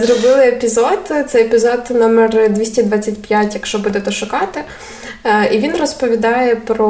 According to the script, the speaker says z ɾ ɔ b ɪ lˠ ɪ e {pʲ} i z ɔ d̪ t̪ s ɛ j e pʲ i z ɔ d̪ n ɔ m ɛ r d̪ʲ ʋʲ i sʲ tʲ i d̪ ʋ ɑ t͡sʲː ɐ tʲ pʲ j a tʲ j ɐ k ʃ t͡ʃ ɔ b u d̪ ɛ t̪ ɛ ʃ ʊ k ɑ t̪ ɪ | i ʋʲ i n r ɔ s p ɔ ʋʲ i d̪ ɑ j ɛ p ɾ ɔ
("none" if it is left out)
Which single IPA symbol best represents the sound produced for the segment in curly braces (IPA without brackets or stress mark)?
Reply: pʲ